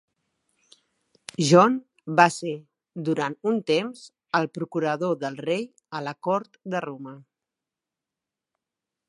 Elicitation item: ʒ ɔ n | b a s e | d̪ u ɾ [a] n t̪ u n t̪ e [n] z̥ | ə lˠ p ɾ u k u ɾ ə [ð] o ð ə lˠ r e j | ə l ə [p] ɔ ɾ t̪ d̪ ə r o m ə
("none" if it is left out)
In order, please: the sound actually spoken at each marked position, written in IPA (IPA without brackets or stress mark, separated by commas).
a, m, ð, k